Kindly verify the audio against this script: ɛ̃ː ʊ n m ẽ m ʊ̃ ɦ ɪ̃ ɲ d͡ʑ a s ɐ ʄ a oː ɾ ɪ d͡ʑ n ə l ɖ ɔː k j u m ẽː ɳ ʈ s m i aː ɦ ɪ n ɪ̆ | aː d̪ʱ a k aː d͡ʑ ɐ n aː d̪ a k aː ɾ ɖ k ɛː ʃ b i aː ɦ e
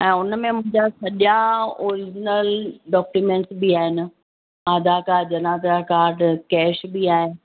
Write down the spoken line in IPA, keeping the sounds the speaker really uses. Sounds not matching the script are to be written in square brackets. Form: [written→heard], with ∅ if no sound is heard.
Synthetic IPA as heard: ɛ̃ː ʊ n m ẽ m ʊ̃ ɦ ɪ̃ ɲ d͡ʑ a s ɐ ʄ a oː ɾ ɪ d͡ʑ n ə l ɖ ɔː k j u m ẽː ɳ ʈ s [m→b] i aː ɦ ɪ n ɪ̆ | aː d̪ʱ a k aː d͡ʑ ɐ n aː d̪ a k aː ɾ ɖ k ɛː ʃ b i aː ɦ e

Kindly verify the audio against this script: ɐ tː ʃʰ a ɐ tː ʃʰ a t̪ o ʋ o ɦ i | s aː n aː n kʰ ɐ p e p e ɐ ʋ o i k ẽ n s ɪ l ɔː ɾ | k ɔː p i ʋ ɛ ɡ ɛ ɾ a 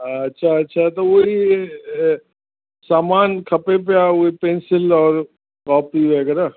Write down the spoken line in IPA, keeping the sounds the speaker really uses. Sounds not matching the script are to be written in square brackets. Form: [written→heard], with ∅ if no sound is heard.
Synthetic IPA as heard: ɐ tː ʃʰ a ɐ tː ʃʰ a t̪ o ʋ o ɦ i | s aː [n→m] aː n kʰ ɐ p e p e [ɐ→a] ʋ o i [k→p] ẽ n s ɪ l ɔː ɾ | k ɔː p i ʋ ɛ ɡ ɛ ɾ a

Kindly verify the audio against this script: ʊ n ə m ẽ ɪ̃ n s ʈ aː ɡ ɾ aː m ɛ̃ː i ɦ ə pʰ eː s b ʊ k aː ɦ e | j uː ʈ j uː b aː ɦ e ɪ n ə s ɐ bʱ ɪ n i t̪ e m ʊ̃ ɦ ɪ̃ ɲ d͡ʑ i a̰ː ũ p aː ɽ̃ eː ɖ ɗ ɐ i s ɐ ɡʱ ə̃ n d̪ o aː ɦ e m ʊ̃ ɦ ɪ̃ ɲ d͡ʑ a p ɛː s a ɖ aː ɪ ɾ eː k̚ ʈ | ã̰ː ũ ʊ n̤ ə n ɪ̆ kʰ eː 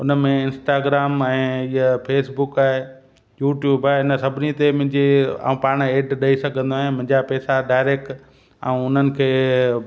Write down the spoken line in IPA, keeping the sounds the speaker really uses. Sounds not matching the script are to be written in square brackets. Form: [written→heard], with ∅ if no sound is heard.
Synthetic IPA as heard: ʊ n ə m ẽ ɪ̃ n s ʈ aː ɡ ɾ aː m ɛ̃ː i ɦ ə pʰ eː s b ʊ k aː ɦ e | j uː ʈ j uː b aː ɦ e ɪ n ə s ɐ bʱ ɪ n i t̪ e m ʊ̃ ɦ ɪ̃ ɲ d͡ʑ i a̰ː ũ p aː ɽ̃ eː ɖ ɗ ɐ i s ɐ ɡʱ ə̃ n d̪ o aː ɦ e m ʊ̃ ɦ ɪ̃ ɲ d͡ʑ a p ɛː s a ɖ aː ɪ ɾ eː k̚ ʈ | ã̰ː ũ ʊ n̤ ə n ɪ̆ kʰ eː

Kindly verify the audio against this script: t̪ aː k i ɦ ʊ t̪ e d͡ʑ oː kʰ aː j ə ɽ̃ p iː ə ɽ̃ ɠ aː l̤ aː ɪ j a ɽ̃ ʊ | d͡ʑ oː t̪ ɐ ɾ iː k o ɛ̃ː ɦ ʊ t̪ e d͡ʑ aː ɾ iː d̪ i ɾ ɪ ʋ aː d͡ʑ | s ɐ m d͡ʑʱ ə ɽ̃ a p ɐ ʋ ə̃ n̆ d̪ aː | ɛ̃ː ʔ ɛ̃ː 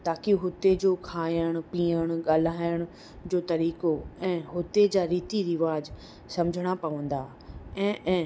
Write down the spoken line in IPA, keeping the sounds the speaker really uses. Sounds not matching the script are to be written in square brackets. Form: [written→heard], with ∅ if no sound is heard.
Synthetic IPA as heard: t̪ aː k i ɦ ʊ t̪ e d͡ʑ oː kʰ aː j ə ɽ̃ p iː ə ɽ̃ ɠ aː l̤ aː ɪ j [a→ə] ɽ̃ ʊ | d͡ʑ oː t̪ ɐ ɾ iː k o ɛ̃ː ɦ ʊ t̪ e d͡ʑ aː ɾ iː [d̪→t̪] i ɾ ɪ ʋ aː d͡ʑ | s ɐ m d͡ʑʱ ə ɽ̃ a p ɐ ʋ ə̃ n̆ d̪ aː | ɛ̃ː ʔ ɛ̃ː

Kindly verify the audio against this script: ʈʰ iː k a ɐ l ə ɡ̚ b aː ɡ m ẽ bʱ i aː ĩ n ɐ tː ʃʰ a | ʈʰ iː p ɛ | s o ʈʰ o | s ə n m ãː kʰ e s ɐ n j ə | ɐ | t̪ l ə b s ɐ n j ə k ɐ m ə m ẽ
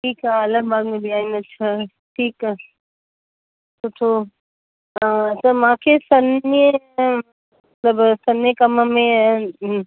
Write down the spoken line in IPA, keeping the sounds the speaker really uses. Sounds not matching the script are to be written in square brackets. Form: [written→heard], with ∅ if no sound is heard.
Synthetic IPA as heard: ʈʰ iː k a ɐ l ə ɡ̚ b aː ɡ m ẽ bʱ i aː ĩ n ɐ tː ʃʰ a | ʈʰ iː [p→k] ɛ | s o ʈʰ o | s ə [n→∅] m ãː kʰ e s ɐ n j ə | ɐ | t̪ l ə b s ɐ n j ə k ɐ m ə m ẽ

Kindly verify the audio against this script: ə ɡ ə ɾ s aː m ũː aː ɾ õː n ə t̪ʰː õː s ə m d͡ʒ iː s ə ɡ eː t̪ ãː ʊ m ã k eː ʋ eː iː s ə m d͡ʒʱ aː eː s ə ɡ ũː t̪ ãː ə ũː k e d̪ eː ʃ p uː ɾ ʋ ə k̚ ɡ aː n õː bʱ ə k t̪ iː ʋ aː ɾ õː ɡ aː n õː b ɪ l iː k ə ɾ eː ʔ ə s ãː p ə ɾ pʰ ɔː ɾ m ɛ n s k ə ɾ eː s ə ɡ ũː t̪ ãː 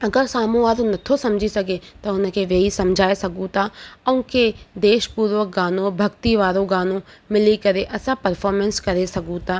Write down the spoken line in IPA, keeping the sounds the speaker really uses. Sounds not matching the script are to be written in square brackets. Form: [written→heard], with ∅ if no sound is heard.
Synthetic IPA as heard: ə ɡ ə ɾ s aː m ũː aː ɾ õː n ə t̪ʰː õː s ə m d͡ʒ iː s ə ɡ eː t̪ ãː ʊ [m→n] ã k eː ʋ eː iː s ə m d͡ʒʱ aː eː s ə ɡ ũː t̪ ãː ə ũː k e d̪ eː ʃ p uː ɾ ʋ ə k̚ ɡ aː n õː bʱ ə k t̪ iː ʋ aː ɾ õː ɡ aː n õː [b→m] ɪ l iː k ə ɾ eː ʔ ə s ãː p ə ɾ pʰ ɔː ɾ m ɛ n s k ə ɾ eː s ə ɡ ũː t̪ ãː

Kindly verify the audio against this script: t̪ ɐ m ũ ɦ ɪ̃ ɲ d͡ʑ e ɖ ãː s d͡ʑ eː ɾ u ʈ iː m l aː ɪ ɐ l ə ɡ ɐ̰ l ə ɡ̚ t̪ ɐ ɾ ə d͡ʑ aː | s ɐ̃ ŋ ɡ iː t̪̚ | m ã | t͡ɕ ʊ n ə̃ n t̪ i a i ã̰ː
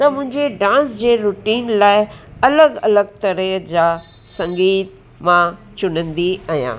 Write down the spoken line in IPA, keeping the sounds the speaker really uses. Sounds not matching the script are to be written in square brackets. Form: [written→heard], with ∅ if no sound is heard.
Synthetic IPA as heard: t̪ ɐ m [ũ→ʊ̃] ɦ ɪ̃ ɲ d͡ʑ e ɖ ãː s d͡ʑ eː ɾ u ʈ iː [m→n] l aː ɪ ɐ l ə ɡ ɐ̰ l ə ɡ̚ t̪ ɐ ɾ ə d͡ʑ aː | s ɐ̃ ŋ ɡ iː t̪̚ | m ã | t͡ɕ ʊ n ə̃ n [t̪→d̪] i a [i→j] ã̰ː

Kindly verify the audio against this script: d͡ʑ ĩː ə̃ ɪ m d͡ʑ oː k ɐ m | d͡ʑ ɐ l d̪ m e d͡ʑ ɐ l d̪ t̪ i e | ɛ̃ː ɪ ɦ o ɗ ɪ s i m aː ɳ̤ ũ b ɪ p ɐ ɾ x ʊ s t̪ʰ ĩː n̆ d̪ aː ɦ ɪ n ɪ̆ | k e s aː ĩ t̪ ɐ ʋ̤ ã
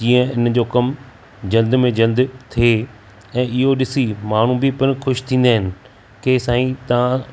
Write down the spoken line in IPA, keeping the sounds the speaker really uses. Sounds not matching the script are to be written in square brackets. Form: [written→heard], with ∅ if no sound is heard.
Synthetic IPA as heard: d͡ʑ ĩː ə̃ ɪ [m→n] d͡ʑ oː k ɐ m | d͡ʑ ɐ l d̪ m [e→ẽ] d͡ʑ ɐ l d̪ [t̪→t̪ʰ] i e | ɛ̃ː ɪ ɦ o ɗ ɪ s i m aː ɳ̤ ũ b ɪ p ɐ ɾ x ʊ [s→ʃ] t̪ʰ ĩː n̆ d̪ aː ɦ ɪ n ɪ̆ | k e s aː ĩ t̪ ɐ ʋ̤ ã

